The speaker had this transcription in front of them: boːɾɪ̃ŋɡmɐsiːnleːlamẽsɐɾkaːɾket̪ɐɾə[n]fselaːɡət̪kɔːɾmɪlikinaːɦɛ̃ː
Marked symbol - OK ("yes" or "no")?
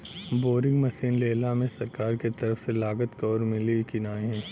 no